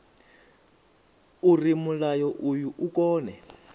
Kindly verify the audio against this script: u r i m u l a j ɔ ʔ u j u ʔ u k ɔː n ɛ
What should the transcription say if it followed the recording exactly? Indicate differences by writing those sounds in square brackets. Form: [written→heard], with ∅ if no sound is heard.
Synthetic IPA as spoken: u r i m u l a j ɔ ʔ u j u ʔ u k ɔː n ɛ